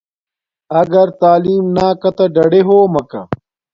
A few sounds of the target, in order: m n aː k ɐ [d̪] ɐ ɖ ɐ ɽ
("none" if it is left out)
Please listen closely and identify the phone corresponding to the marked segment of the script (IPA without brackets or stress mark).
t̪